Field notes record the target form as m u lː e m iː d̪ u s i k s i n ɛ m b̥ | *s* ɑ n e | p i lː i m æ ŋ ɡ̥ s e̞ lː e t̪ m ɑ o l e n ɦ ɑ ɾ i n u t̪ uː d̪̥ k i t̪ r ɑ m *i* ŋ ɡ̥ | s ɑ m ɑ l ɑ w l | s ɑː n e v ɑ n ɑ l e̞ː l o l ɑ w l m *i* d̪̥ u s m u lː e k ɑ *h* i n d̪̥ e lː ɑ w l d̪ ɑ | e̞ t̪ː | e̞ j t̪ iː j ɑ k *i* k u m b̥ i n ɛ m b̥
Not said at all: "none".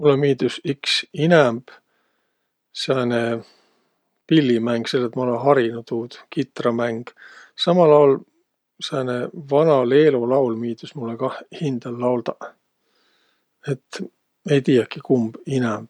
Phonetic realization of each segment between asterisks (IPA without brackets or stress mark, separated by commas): s, æ, iː, h, i